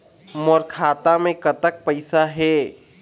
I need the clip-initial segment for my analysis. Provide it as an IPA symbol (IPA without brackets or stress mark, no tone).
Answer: m